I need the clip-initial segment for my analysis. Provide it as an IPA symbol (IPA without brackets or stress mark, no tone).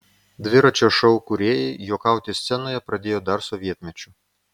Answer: d̪